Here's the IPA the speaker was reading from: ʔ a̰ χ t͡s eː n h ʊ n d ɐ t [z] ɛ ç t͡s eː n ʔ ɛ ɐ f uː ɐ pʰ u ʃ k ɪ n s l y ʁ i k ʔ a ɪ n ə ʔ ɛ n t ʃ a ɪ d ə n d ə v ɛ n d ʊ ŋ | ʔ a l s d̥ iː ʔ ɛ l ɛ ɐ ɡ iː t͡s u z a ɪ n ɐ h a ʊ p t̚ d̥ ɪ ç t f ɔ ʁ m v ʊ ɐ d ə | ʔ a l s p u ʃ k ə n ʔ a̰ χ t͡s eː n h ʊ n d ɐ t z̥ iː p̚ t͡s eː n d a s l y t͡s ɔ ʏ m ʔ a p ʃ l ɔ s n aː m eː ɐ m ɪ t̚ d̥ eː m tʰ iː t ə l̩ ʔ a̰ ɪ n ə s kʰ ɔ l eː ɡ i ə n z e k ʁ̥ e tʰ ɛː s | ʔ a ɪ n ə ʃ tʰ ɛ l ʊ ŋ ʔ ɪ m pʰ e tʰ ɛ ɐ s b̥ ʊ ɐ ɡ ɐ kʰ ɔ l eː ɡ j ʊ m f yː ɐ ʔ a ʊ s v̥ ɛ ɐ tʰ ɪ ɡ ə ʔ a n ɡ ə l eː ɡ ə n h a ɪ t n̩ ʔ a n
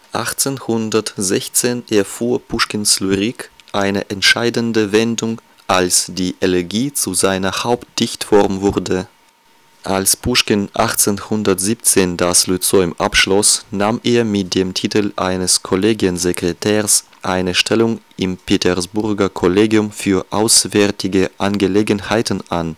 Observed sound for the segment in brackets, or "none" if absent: z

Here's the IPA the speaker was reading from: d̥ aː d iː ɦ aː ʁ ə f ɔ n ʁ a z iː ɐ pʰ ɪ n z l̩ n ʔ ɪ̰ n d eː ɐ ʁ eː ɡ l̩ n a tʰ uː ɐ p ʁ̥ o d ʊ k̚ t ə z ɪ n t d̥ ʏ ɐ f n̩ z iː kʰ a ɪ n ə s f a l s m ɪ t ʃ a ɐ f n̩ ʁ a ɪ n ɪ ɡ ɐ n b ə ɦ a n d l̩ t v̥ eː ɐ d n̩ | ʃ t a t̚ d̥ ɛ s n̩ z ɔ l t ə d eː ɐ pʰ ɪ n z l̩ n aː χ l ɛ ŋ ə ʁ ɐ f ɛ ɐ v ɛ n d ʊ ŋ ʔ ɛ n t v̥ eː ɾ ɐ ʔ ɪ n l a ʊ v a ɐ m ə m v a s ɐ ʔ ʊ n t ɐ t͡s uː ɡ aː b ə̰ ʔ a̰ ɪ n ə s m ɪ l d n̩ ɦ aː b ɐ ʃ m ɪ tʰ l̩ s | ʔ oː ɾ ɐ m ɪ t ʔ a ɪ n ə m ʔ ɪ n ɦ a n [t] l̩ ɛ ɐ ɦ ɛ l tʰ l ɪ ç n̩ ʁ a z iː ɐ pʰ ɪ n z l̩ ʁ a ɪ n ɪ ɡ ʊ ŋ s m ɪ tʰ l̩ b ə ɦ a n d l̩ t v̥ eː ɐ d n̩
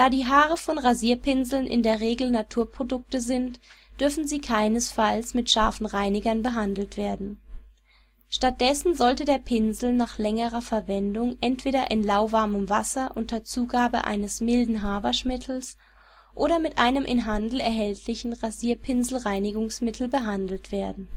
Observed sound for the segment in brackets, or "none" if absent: d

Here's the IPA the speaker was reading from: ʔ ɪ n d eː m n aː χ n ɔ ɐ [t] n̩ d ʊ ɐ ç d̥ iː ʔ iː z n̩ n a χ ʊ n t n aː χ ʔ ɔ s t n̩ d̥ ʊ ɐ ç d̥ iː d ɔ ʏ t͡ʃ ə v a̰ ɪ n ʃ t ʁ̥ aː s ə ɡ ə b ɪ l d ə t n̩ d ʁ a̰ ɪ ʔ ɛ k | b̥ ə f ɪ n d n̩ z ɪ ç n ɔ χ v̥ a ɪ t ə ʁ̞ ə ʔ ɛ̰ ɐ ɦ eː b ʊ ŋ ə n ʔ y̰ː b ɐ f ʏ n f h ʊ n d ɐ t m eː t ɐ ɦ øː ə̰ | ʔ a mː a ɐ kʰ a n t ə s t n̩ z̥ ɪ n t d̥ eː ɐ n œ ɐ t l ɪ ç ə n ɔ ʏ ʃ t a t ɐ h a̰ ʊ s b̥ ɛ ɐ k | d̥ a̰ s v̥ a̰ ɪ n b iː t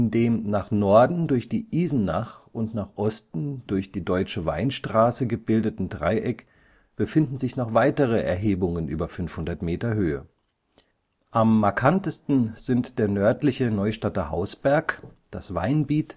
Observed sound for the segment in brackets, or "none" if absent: d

